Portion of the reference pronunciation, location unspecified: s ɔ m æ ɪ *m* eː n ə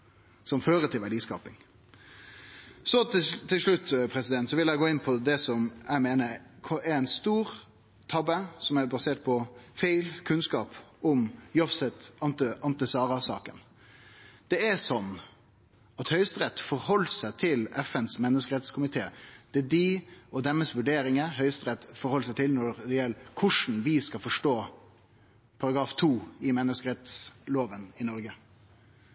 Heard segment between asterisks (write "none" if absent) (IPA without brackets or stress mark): m